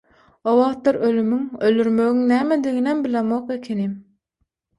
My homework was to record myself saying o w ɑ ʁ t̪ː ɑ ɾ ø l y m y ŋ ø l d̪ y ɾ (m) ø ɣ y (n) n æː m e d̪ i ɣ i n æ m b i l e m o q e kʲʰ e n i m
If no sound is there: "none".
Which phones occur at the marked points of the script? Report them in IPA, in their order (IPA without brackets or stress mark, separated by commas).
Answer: m, ŋ